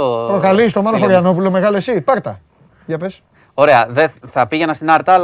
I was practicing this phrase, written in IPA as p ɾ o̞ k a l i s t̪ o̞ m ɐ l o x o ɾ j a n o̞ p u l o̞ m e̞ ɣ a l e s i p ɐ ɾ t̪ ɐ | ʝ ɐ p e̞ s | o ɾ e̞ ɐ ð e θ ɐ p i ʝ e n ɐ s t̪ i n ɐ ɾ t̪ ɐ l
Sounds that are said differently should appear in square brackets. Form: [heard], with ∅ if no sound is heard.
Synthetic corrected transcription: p ɾ o̞ k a l i s t̪ o̞ m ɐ l o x o ɾ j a n o̞ p u l o̞ m e̞ ɣ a l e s i p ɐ ɾ t̪ ɐ | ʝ ɐ p e̞ s | o ɾ e̞ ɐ ð e θ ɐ p i ʝ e n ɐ s t̪ i n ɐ ɾ t̪ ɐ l